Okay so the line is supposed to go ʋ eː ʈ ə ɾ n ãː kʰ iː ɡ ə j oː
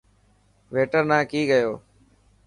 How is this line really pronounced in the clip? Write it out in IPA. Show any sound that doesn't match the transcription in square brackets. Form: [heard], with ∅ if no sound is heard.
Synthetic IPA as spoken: ʋ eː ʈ ə ɾ n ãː [k] iː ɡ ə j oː

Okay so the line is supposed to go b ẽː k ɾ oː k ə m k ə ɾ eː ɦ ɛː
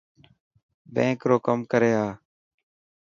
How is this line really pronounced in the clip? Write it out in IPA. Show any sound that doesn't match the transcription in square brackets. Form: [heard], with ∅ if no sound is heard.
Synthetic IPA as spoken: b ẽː k ɾ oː k ə m k ə ɾ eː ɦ [aː]

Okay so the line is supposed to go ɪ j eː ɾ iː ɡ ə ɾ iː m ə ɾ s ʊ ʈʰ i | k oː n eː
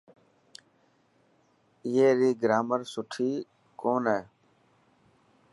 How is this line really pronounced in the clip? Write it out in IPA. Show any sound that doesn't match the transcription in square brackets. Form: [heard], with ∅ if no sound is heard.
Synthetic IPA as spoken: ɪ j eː ɾ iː ɡ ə ɾ [aː] m ə ɾ s ʊ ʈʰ [iː] | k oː n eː

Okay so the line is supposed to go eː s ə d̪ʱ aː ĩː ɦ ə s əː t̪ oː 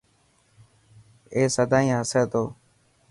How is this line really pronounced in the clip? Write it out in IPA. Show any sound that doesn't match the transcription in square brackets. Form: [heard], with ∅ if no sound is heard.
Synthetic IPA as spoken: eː s ə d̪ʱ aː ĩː ɦ ə s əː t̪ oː

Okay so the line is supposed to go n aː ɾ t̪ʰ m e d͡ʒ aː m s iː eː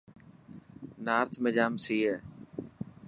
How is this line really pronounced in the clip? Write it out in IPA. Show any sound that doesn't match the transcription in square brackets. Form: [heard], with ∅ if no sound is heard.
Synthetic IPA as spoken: n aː ɾ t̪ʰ m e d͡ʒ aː m s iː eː

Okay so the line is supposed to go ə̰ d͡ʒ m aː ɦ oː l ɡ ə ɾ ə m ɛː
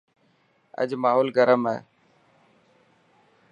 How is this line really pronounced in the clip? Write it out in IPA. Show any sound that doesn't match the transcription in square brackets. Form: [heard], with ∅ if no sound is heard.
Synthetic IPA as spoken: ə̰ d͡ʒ m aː ɦ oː l ɡ ə ɾ ə m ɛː

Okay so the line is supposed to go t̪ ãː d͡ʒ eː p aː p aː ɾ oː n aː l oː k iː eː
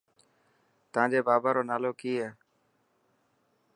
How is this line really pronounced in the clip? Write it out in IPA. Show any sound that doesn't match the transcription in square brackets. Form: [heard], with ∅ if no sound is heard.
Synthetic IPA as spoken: t̪ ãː d͡ʒ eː [b] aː [b] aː ɾ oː n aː l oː k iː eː

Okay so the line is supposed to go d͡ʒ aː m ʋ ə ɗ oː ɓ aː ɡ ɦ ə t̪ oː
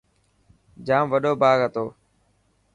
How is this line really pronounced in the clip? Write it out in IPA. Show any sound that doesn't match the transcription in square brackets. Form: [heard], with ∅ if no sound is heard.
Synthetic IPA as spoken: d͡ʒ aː m ʋ ə ɗ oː [b] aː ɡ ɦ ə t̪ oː

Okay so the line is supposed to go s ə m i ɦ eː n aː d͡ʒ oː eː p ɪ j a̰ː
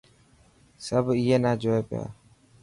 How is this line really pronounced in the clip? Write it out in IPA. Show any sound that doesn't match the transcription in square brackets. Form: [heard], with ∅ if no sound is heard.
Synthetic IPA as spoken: s ə [b] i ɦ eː n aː d͡ʒ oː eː p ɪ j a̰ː

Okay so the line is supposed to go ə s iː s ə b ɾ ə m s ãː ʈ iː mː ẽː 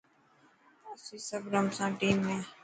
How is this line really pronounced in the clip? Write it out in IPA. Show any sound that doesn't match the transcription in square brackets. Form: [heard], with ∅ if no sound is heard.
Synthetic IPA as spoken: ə s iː s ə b ɾ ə m s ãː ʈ iː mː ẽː

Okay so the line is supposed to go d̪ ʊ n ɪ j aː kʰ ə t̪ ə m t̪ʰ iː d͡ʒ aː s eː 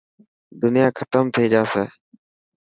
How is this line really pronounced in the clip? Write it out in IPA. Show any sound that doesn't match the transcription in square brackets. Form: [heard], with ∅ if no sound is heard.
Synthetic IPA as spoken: d̪ ʊ n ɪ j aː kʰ ə t̪ ə m t̪ʰ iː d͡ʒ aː s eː

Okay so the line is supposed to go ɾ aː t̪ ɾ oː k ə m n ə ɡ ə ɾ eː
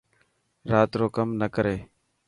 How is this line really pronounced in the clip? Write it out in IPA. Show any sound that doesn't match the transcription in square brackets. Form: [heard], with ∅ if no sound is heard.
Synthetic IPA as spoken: ɾ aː t̪ ɾ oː k ə m n ə [k] ə ɾ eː

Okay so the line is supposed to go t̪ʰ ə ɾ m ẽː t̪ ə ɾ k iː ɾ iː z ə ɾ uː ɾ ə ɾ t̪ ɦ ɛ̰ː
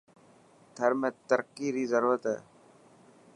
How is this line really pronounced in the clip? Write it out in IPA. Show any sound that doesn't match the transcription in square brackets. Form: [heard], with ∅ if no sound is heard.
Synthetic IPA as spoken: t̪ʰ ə ɾ m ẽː t̪ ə ɾ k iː ɾ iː z ə ɾ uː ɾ ə [∅] t̪ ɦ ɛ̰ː

